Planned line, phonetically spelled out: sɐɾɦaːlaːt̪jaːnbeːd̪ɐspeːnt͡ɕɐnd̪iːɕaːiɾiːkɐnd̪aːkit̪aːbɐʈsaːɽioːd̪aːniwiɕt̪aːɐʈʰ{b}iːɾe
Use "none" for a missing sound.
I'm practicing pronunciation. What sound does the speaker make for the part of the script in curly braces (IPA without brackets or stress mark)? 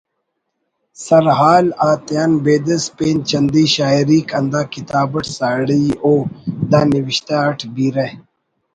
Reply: b